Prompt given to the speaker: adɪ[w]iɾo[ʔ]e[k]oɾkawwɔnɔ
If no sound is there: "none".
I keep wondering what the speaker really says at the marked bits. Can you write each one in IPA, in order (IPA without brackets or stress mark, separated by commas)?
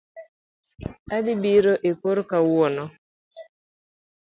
b, ʔ, k